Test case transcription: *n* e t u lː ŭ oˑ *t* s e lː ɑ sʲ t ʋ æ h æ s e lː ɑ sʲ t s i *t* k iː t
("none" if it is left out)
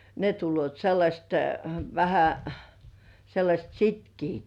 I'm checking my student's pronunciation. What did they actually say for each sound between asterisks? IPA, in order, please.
n, t, t

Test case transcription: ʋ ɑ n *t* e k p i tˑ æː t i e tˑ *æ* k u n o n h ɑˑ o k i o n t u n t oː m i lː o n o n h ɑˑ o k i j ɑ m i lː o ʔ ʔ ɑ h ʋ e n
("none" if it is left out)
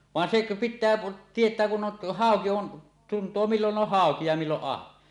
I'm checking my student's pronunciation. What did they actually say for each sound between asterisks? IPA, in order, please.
s, æː

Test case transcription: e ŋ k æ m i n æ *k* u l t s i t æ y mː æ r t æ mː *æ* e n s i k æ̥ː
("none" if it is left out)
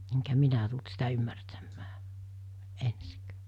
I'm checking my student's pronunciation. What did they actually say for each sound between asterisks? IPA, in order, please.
t, æː

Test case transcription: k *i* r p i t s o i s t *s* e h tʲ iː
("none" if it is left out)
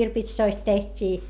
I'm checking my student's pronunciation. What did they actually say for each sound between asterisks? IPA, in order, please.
i, t

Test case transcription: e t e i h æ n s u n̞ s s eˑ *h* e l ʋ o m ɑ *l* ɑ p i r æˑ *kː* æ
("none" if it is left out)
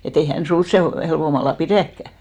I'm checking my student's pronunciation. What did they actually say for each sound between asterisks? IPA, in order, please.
h, lː, kː

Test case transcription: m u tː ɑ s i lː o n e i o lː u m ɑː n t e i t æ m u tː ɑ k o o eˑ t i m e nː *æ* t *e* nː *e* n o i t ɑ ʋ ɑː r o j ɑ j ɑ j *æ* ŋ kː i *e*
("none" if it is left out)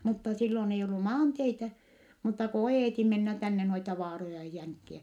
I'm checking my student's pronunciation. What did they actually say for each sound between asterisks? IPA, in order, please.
æ, æ, e, æ, æ

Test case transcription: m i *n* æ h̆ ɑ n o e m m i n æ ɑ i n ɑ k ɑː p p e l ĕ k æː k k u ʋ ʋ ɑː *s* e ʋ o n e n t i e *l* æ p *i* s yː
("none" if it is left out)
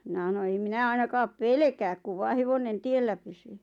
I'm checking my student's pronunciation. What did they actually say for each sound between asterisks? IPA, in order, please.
n, h, lː, y

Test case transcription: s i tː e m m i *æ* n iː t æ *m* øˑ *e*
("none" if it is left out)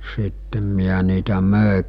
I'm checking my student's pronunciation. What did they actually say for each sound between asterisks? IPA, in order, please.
æ, m, e

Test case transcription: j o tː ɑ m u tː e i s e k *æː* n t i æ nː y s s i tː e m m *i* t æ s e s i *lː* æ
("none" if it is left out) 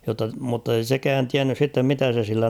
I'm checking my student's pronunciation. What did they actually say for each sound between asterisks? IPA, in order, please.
æː, i, lː

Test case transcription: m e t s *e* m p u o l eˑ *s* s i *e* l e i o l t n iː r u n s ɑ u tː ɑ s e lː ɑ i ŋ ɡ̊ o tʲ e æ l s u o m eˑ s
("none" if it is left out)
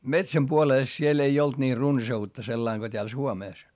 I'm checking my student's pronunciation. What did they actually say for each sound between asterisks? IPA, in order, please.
æ, s, e

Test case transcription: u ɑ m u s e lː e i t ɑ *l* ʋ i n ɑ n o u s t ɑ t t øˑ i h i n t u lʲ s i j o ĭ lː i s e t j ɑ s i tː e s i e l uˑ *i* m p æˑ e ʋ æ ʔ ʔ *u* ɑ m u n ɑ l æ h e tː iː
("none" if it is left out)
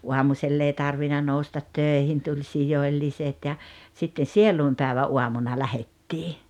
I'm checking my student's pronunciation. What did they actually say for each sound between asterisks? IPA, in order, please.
r, i, u

